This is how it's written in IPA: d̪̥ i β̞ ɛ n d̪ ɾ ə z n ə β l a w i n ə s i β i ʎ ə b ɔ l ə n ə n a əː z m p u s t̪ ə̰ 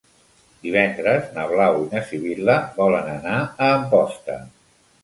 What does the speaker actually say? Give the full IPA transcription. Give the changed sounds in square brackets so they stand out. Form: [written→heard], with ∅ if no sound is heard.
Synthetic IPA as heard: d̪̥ i β̞ ɛ n d̪ ɾ ə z n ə β l a w i n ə s i β i [ʎ→l] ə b ɔ l ə n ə n a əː [z→∅] m p [u→ɔ] s t̪ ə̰